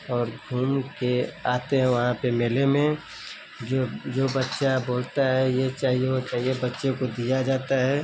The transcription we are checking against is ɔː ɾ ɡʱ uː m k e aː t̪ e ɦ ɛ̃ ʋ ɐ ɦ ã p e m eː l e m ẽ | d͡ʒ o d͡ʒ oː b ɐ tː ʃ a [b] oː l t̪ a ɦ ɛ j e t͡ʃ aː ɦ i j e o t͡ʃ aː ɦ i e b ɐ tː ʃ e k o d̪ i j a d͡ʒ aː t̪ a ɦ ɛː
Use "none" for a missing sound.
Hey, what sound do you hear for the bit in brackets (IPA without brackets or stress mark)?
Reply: b